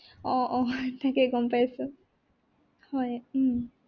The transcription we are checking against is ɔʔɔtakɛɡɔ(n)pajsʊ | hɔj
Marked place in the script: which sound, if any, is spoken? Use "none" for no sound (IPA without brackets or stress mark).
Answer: m